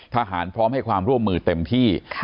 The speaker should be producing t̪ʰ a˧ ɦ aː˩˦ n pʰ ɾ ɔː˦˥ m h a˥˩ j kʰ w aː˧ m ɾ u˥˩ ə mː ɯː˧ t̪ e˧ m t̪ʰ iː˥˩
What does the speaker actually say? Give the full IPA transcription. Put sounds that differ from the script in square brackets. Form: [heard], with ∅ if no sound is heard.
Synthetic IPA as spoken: t̪ʰ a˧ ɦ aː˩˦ n pʰ ɾ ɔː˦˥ m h a˥˩ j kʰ w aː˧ m ɾ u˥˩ ə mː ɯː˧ t̪ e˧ m t̪ʰ iː˥˩